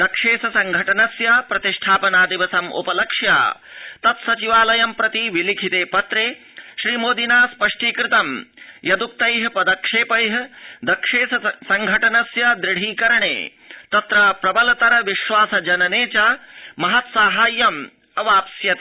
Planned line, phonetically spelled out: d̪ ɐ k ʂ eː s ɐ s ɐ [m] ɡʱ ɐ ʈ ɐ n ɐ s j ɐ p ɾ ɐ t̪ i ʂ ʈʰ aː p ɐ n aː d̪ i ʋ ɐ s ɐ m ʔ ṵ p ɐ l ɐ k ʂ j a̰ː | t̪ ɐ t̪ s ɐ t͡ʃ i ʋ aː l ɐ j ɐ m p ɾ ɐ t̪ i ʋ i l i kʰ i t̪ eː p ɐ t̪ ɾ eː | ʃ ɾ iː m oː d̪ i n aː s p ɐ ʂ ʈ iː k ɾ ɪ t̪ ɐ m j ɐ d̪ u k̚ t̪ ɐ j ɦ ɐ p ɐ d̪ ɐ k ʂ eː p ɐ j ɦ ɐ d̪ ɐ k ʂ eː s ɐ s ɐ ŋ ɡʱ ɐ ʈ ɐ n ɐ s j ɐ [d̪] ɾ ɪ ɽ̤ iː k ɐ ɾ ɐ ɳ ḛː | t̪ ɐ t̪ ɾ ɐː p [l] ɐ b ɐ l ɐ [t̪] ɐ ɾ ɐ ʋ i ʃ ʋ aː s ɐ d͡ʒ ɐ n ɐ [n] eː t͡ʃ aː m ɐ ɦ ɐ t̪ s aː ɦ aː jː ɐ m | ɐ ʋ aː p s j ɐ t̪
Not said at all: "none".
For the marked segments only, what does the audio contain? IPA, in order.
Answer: ŋ, d̪, ɾ, t̪, n

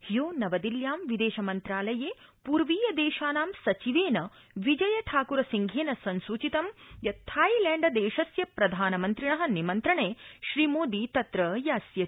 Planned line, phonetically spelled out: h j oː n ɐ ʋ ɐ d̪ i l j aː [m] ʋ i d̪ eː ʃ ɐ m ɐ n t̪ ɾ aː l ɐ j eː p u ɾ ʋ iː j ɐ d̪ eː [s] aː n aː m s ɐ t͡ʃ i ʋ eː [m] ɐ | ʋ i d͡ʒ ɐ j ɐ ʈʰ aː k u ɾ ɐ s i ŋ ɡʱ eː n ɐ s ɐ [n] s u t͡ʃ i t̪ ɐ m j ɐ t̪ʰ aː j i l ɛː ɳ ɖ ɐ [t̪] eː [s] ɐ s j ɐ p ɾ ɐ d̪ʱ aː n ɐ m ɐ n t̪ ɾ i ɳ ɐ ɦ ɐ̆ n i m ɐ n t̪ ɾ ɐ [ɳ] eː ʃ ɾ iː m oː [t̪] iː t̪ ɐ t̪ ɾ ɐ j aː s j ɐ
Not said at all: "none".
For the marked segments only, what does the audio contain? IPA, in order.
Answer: m, ʃ, n, n, d̪, ʃ, ɳ, d̪

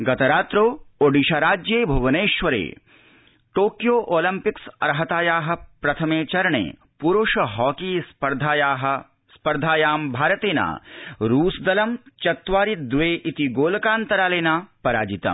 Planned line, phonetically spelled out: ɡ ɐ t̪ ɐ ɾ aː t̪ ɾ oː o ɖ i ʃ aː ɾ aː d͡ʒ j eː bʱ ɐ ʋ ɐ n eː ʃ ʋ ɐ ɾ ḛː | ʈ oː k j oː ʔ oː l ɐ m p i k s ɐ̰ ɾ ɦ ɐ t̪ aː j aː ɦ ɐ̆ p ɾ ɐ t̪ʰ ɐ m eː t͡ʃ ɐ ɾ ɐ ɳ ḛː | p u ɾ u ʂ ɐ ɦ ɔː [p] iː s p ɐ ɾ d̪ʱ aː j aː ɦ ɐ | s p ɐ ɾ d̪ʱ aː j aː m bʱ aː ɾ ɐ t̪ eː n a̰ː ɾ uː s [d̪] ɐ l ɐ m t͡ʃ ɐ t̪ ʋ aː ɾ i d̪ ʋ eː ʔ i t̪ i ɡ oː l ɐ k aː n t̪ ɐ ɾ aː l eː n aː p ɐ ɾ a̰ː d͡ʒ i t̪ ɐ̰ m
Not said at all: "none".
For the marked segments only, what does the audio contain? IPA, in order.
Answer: k, d̪

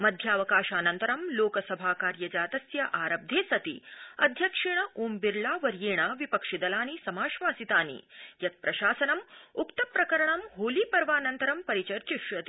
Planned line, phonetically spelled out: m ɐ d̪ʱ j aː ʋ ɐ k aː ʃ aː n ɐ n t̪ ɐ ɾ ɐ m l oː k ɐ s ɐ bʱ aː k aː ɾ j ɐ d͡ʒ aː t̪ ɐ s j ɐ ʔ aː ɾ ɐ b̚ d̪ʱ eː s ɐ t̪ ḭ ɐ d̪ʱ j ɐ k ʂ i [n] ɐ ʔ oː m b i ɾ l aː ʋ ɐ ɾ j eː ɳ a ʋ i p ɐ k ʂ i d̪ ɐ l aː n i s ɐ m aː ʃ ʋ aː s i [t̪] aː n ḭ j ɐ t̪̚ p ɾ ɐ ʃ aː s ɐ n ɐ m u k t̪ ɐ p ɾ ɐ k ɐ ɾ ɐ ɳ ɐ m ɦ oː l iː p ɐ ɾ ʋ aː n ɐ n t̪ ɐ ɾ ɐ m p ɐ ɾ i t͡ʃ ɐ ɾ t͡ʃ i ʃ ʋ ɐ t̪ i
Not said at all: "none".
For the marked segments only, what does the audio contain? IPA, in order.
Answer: ɳ, t̪

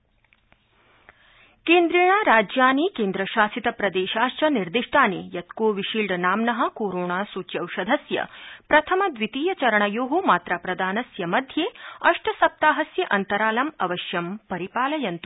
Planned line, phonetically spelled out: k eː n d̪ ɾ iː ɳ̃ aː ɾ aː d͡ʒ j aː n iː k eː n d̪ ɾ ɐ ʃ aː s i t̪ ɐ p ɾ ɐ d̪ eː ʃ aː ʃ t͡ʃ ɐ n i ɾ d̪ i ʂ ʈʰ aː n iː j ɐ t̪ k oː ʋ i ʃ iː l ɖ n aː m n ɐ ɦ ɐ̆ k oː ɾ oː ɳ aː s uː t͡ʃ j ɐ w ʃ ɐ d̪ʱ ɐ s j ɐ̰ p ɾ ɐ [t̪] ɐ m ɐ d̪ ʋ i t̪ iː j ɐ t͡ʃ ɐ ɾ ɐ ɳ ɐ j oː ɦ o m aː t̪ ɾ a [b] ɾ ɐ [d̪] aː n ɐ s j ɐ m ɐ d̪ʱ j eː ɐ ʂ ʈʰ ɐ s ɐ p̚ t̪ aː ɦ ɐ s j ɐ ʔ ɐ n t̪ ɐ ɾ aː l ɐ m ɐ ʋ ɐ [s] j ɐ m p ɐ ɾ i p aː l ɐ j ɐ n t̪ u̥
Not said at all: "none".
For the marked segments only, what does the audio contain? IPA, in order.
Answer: t̪ʰ, p, d̪, ʃ

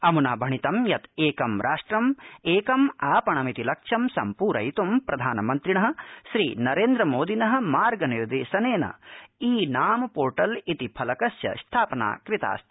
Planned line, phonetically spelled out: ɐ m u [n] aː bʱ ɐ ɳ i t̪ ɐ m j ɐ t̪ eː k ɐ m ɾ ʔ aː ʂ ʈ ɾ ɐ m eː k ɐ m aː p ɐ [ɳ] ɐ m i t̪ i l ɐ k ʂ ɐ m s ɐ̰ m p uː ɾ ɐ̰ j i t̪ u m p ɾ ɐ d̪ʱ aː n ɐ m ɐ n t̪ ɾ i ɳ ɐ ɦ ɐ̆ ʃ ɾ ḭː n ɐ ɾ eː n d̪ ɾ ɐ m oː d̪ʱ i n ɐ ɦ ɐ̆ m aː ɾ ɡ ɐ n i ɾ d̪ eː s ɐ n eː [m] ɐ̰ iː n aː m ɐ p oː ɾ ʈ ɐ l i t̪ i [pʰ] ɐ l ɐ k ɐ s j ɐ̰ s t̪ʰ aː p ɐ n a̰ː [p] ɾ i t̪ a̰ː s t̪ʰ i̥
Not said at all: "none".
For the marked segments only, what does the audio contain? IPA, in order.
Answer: n, ɳ, n, pʰ, k

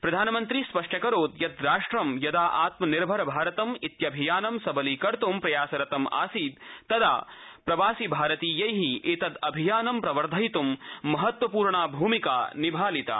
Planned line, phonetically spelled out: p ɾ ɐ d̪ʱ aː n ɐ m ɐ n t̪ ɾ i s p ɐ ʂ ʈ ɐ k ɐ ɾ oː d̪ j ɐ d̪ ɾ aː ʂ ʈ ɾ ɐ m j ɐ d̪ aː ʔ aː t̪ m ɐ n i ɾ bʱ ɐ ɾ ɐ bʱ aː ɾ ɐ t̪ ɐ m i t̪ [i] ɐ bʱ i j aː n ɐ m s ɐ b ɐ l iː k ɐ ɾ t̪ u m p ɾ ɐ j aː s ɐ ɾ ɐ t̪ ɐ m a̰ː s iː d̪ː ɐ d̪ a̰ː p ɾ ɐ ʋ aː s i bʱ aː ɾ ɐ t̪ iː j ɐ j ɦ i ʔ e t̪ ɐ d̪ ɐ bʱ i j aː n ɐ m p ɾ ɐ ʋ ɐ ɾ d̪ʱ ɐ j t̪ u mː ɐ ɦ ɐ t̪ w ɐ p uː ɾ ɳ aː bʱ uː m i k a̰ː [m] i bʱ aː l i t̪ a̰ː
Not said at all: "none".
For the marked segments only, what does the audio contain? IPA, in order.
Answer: j, n

